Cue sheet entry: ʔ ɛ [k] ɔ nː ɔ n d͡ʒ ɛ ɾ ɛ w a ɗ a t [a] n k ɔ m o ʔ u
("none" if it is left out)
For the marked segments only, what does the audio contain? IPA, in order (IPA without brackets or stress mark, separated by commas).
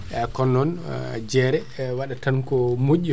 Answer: k, a